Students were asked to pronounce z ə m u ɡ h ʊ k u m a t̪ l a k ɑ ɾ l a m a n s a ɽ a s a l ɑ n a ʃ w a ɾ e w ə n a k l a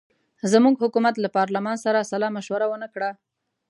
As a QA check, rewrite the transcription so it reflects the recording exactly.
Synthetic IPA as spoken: z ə m u ɡ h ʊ k u m a t̪ l a p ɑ ɾ l a m ɑ n s a ɾ a s a l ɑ m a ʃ w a ɾ a w ə n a k ɽ a